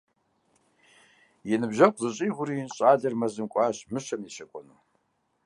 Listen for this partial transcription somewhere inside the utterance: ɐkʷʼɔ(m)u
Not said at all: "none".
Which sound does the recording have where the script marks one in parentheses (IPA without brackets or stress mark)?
n